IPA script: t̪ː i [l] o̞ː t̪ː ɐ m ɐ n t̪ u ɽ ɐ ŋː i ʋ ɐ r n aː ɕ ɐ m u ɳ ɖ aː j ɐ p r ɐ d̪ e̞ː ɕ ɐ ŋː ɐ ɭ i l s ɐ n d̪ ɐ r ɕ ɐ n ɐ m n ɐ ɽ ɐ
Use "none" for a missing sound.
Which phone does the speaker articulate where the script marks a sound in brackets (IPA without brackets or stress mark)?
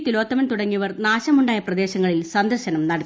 l